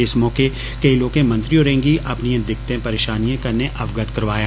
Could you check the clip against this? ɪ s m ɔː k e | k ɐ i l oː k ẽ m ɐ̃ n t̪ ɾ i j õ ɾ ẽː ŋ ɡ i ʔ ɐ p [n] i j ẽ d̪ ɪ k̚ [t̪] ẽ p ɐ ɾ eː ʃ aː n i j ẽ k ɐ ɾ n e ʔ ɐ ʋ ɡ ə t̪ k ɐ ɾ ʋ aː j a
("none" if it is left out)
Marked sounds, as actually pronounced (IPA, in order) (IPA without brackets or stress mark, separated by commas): n, t̪